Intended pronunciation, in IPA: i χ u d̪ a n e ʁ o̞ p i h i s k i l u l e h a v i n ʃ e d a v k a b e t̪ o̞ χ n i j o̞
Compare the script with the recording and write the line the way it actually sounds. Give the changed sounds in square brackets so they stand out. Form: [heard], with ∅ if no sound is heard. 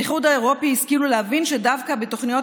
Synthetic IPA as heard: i χ u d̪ a [∅] e ʁ o̞ p i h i s k i l u l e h a v i n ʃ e d a v k a b e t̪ o̞ χ n i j o̞